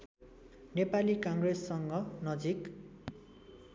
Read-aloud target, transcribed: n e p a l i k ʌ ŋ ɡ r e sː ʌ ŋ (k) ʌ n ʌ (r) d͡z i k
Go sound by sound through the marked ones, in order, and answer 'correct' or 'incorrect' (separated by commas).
incorrect, incorrect